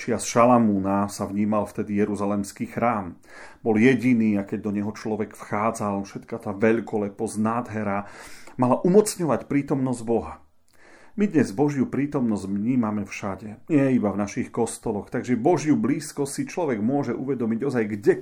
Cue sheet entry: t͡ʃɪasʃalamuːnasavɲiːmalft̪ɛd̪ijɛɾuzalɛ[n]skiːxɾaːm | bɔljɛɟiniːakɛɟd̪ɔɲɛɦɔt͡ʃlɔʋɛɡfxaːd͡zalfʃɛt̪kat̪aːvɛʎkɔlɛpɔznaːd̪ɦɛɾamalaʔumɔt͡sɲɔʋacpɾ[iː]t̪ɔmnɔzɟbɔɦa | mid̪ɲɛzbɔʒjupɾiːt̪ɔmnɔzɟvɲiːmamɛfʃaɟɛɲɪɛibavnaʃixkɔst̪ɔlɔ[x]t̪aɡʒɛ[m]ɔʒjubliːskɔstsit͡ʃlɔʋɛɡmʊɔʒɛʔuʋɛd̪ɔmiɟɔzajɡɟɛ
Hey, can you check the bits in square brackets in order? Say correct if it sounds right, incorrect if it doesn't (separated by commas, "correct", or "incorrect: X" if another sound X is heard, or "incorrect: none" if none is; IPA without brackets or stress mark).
incorrect: m, correct, correct, incorrect: b